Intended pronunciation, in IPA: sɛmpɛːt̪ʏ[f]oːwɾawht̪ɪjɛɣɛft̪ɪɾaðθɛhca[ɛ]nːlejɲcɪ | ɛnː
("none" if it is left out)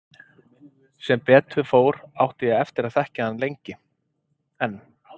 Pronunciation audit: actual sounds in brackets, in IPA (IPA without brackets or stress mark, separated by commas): f, a